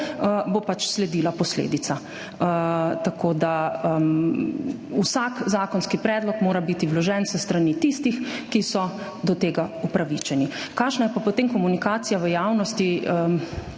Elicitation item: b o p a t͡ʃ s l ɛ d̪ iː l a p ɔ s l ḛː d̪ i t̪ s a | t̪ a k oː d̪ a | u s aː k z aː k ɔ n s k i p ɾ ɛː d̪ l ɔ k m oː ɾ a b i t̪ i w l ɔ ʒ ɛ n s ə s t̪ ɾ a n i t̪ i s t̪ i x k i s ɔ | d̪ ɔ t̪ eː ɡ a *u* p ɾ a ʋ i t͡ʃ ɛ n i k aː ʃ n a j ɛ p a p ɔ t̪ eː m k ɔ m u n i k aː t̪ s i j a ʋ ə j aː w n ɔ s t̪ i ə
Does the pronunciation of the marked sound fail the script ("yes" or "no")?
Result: no